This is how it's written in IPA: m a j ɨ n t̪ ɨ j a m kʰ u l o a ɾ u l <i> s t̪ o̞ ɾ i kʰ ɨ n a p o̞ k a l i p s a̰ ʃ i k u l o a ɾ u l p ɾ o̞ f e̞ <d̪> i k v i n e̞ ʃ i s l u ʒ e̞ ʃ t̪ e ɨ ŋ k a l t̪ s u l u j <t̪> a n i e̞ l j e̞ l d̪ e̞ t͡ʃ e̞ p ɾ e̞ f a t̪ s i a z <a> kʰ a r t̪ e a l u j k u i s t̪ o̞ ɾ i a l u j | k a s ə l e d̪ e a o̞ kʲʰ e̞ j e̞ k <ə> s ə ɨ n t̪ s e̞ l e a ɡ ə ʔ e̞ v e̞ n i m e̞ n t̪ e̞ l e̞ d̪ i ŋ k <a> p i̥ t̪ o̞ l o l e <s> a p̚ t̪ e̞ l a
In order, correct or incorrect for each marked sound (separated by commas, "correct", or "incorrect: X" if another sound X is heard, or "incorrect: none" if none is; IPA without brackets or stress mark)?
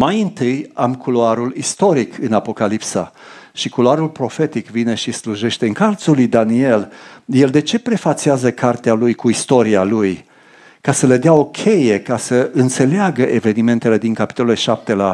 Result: correct, incorrect: t̪, incorrect: d̪, incorrect: ə, incorrect: a, correct, incorrect: ʃ